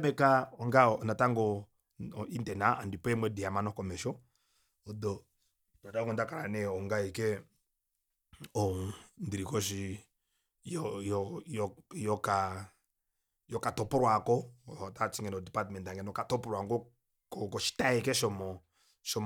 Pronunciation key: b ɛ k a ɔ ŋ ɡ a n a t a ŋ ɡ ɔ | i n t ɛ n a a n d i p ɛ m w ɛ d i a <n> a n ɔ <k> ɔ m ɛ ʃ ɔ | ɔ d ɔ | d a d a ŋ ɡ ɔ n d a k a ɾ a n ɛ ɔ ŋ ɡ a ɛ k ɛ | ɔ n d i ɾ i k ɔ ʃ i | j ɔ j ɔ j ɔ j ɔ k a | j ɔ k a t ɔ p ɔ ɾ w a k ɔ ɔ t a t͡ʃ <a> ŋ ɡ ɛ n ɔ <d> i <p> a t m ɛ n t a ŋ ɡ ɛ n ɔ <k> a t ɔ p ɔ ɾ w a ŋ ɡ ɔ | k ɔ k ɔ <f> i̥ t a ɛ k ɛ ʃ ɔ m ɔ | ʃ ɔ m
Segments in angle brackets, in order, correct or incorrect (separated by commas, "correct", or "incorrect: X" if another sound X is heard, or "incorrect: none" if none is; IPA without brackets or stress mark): incorrect: m, correct, incorrect: i, correct, correct, correct, incorrect: ʃ